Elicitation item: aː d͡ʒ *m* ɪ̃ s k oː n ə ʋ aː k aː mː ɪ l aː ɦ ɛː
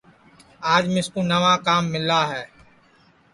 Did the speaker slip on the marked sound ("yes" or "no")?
no